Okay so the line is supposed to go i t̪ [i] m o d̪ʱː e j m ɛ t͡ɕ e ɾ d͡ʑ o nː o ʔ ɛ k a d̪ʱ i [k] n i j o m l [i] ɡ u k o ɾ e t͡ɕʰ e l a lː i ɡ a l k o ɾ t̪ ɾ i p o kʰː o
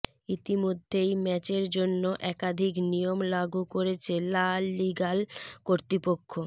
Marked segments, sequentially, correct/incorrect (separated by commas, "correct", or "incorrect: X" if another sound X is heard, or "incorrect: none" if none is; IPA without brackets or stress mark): correct, correct, incorrect: a